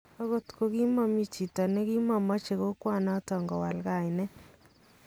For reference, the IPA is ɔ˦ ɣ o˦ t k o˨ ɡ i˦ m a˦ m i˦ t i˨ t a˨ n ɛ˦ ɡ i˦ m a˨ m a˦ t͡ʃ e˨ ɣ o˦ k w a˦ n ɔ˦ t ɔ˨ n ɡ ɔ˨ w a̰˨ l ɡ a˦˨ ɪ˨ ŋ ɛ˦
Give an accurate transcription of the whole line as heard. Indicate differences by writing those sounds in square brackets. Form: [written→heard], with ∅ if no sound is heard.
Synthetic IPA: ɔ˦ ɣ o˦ t k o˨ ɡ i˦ m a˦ m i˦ [t→t͡ʃ] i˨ t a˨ n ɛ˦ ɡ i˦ m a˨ m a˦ t͡ʃ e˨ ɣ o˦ k w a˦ n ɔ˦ t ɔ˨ [n→ŋ] ɡ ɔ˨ w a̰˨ l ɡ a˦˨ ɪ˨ [ŋ→n] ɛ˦